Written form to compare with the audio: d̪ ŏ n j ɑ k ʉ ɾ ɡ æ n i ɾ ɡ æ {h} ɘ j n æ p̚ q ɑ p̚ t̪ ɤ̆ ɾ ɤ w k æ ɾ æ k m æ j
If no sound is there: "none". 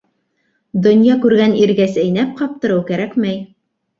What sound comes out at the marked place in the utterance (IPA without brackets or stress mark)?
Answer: s